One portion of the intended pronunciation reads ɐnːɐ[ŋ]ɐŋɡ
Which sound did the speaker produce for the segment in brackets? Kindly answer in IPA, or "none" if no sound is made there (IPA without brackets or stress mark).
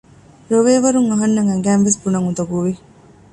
ŋ